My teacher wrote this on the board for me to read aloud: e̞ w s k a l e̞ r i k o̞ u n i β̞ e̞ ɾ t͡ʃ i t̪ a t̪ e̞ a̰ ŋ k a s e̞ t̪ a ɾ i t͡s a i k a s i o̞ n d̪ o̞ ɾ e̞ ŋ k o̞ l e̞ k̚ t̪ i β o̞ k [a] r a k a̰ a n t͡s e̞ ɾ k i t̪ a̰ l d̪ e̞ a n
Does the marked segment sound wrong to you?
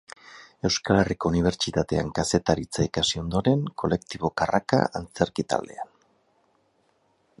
no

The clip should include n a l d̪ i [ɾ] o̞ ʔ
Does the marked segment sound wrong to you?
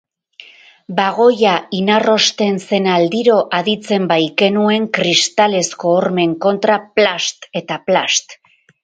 no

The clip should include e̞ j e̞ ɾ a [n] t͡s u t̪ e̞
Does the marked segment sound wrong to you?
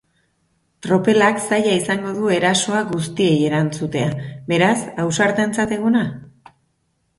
no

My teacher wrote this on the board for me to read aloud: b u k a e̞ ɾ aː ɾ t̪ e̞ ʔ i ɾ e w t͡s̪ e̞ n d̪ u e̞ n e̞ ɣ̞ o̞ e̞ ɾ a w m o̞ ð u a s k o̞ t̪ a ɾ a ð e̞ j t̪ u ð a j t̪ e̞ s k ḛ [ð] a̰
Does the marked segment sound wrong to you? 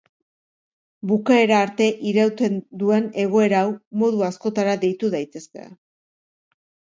yes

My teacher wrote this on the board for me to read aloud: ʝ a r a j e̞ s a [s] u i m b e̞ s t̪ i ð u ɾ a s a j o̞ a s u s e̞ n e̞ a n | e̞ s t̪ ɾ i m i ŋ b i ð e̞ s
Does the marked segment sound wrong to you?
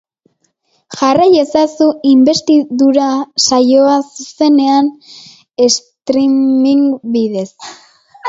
no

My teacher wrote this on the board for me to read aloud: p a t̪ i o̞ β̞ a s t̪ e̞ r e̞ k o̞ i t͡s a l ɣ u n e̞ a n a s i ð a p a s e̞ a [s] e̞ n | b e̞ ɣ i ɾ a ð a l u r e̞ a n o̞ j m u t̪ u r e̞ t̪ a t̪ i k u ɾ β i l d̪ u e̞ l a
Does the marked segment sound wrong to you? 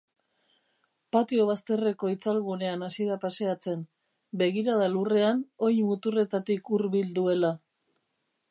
yes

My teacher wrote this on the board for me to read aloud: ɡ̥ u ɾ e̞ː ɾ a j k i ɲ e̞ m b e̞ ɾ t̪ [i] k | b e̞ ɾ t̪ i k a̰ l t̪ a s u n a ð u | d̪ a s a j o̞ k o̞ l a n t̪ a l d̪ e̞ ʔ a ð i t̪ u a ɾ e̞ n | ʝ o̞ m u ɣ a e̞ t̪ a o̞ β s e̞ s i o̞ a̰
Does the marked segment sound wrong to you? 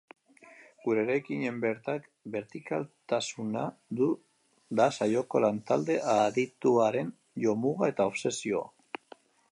yes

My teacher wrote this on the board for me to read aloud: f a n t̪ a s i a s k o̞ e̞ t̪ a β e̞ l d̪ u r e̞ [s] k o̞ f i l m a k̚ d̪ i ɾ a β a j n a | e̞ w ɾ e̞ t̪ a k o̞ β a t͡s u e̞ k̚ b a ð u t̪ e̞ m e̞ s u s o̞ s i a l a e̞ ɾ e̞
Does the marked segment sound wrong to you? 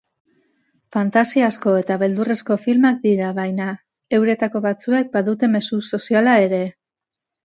no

